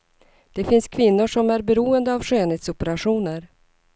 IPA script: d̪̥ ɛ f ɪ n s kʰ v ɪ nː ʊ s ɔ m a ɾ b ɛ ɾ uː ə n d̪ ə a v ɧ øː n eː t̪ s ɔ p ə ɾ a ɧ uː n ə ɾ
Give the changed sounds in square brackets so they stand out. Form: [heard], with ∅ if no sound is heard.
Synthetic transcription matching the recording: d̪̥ ɛ f ɪ n s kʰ v ɪ nː ʊ [ʂ] ɔ m [æ] ɾ b ɛ ɾ uː ə n d̪ ə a v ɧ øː n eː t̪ s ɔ p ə ɾ a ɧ uː n ə ɾ